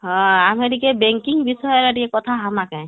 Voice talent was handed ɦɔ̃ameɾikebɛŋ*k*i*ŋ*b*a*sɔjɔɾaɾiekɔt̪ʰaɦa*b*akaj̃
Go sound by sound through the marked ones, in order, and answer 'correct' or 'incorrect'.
correct, correct, incorrect, incorrect

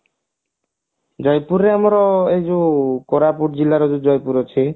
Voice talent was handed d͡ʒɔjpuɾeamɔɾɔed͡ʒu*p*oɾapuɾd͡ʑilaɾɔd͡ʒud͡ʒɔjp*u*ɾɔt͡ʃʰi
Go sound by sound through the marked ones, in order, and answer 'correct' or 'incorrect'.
incorrect, correct

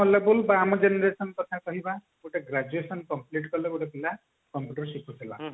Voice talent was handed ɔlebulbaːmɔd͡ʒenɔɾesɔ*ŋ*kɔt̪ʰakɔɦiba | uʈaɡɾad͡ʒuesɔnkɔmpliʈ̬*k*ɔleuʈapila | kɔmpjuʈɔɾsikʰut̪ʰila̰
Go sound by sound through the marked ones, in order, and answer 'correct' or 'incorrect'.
incorrect, correct

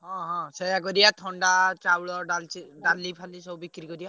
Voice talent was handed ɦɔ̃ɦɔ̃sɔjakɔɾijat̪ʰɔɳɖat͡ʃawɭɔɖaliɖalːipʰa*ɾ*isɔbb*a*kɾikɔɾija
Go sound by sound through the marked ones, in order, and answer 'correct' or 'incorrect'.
incorrect, incorrect

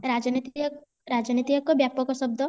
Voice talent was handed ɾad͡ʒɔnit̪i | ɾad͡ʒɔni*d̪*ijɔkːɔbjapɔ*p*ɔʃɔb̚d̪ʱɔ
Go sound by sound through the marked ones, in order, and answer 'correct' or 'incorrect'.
incorrect, incorrect

